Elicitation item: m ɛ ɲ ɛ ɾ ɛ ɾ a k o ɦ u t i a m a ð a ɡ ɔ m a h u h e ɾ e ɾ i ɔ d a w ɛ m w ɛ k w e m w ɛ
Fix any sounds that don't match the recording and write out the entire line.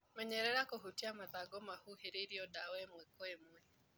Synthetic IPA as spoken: m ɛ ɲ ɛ ɾ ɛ ɾ a k o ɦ u t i a m a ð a ɡ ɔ m a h u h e ɾ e ɾ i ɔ d a w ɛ m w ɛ k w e m w ɛ